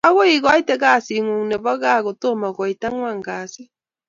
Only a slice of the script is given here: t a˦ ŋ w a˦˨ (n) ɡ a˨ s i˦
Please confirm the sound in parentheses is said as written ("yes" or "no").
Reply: no